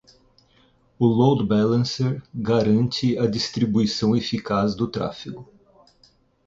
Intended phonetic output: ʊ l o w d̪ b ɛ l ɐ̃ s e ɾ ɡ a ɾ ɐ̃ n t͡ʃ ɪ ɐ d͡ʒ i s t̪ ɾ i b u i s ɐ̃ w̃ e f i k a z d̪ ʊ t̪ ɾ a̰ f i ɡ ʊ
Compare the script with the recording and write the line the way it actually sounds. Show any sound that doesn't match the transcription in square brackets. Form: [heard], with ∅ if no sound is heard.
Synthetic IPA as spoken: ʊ l o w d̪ b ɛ l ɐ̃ s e ɾ ɡ a ɾ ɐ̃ n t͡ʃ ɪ ɐ d͡ʒ i s t̪ ɾ i b u i s ɐ̃ w̃ e f i k a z d̪ ʊ t̪ ɾ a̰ f i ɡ ʊ

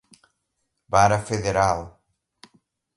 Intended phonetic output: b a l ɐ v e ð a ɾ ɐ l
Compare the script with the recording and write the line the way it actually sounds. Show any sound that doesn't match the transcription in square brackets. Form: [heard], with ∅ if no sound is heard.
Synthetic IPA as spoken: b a [ɾ] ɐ [f] e ð [e] ɾ [a] l

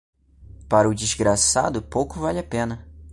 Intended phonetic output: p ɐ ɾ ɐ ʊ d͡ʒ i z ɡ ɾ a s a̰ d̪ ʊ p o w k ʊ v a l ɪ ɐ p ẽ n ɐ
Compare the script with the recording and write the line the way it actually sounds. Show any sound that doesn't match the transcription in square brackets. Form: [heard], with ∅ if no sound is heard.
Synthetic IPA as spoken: p [a] ɾ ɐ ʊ d͡ʒ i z ɡ ɾ a s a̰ d̪ ʊ p o w k ʊ v a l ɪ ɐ p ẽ n ɐ

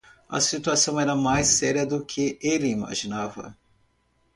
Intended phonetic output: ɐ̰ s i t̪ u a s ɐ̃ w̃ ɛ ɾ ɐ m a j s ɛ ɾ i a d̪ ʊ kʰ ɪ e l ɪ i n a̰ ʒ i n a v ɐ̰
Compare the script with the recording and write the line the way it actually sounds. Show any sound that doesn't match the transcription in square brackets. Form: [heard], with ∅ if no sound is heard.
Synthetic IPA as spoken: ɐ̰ s i t̪ u a s ɐ̃ w̃ ɛ ɾ ɐ m a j s ɛ ɾ i [ɐ] d̪ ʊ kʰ ɪ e l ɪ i [m] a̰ ʒ i n a v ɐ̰

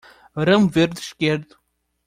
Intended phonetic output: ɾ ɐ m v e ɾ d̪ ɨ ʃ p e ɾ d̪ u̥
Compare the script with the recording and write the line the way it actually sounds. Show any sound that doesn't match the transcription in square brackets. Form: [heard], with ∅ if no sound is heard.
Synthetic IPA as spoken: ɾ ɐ m v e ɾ d̪ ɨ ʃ [k] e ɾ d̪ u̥

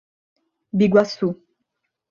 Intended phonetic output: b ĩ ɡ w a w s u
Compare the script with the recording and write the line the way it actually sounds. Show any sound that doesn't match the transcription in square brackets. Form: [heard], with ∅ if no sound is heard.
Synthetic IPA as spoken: b [i] ɡ w a [∅] s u

